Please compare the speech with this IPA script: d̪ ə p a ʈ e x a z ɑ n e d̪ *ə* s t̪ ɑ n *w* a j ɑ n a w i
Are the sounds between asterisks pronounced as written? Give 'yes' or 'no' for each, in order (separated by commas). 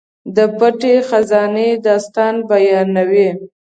no, no